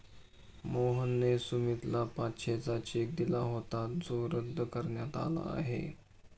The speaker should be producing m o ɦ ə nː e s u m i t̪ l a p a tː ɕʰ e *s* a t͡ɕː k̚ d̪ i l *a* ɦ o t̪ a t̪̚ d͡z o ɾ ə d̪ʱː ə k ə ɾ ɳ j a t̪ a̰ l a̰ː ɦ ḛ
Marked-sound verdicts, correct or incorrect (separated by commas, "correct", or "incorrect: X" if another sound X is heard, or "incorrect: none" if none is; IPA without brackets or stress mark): incorrect: t͡s, correct